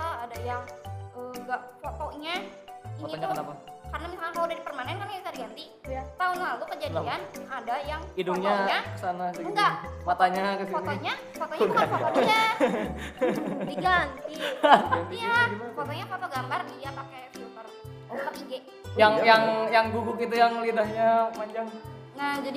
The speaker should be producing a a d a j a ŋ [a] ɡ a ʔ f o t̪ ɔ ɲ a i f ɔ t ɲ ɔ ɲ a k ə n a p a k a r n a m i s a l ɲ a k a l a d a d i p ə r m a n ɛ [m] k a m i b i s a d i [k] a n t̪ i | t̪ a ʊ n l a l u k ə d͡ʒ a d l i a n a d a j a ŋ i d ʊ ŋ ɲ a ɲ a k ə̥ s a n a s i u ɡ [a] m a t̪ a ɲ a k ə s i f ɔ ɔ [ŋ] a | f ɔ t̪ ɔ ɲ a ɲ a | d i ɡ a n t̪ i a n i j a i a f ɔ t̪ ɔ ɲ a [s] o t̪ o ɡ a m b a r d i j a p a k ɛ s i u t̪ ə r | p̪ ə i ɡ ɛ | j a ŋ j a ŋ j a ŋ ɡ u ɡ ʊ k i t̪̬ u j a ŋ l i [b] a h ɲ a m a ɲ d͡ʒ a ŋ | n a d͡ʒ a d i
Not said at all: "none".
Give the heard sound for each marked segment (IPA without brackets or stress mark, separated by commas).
ə, n, ɡ, a, ɲ, f, d